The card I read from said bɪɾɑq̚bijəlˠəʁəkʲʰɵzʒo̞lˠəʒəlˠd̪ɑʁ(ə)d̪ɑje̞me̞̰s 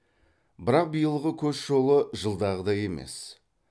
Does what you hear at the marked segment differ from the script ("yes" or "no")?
no